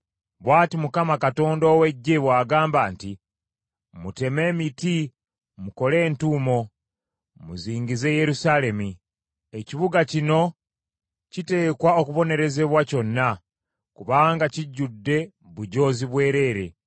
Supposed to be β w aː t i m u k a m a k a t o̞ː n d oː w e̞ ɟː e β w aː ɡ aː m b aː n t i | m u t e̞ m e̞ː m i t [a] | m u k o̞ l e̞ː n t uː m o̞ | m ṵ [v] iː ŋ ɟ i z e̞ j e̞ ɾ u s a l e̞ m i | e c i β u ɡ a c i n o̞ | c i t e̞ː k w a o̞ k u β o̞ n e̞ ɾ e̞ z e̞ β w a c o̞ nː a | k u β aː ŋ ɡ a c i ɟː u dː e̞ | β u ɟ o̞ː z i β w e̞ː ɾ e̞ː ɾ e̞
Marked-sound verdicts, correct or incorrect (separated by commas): incorrect, incorrect